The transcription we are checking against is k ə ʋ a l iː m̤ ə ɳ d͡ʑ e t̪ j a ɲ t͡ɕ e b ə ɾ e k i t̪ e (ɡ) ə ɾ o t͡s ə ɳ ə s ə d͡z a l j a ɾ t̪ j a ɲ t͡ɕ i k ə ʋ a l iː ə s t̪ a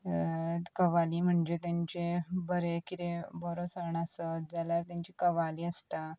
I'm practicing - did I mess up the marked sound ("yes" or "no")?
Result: yes